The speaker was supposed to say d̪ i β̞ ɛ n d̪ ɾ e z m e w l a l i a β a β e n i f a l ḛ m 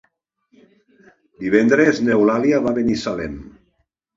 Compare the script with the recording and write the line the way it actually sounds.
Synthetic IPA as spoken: d̪ i β̞ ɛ n d̪ ɾ e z n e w l a l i a β a β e n i s a l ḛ m